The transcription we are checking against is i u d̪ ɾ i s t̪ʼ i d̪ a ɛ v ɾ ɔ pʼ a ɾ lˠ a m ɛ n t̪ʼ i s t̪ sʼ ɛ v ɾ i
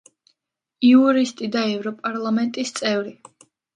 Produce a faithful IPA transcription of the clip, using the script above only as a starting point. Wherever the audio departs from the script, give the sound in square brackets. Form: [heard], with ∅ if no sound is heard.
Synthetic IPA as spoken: i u [∅] ɾ i s t̪ʼ i d̪ a ɛ v ɾ ɔ pʼ a ɾ lˠ a m ɛ n t̪ʼ i s t̪ sʼ ɛ v ɾ i